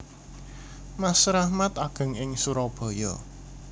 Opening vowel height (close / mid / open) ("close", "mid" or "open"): open